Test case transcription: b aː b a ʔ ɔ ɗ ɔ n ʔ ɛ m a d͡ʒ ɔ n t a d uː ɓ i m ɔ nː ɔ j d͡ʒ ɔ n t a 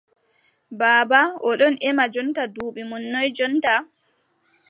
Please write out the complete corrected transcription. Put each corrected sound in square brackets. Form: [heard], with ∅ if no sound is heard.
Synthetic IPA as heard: b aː b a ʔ ɔ ɗ ɔ n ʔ ɛ m a d͡ʒ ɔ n t a d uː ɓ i m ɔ nː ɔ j d͡ʒ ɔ n t a